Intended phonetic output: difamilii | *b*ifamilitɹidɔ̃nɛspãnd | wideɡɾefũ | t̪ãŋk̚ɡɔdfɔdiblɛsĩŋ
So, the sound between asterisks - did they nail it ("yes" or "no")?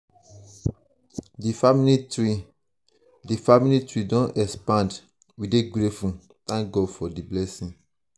no